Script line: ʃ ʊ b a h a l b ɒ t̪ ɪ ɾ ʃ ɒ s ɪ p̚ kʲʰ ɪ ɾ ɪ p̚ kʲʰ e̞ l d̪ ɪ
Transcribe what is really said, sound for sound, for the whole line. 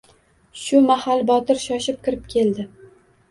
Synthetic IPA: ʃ ʊ m a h a l b ɒ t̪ ɪ ɾ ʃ ɒ ʃ ɪ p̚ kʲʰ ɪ ɾ ɪ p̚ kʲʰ e̞ l d̪ ɪ